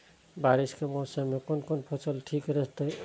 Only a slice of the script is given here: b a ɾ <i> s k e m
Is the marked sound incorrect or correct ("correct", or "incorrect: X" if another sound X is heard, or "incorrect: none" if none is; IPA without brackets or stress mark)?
correct